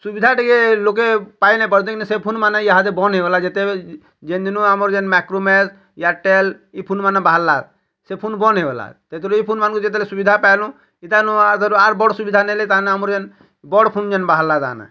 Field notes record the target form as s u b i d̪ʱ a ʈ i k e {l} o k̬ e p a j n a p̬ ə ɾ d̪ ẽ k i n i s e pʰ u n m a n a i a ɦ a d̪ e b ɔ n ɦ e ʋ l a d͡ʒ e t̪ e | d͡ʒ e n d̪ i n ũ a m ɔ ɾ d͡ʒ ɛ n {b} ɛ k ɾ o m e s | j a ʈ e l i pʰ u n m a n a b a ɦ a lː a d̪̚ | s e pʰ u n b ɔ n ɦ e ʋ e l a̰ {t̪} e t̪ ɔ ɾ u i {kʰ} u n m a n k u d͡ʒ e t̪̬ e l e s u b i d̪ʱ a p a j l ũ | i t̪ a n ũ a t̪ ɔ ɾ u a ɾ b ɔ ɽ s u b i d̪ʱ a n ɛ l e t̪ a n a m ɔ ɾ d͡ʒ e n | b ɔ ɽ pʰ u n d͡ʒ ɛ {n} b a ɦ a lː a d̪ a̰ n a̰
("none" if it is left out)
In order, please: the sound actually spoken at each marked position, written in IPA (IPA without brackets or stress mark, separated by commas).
l, m, t̪, pʰ, n